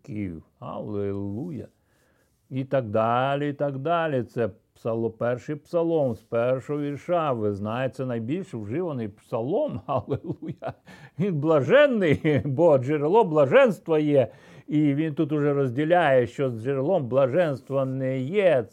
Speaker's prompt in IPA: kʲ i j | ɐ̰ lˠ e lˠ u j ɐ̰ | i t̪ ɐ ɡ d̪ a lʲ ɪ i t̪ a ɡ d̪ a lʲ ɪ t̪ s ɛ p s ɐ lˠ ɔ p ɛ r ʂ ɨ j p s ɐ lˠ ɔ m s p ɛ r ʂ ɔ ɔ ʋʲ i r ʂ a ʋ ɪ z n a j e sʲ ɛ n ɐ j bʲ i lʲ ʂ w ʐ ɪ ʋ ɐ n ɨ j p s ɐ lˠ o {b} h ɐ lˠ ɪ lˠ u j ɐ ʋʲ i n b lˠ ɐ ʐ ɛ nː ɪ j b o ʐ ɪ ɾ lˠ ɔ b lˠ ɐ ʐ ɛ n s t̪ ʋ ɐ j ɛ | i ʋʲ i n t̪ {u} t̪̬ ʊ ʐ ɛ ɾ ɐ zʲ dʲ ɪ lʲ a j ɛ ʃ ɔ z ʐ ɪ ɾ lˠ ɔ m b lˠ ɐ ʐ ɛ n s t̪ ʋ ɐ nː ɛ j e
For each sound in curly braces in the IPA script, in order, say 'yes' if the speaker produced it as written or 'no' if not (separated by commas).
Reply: no, yes